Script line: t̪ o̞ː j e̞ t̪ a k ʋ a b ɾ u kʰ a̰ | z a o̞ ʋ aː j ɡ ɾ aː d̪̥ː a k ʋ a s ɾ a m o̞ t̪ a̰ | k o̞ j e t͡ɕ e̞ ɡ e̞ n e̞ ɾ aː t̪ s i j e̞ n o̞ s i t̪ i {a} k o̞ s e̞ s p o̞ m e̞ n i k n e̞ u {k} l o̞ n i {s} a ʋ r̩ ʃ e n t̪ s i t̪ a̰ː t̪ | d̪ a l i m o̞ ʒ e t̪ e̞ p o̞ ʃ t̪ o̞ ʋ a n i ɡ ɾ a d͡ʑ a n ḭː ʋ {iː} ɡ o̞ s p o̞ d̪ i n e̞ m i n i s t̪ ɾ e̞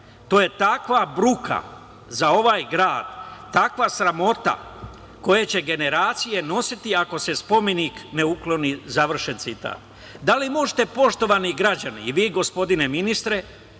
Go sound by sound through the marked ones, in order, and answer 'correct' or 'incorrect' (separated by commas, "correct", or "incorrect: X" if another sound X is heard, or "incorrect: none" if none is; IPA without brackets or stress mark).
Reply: correct, correct, incorrect: z, correct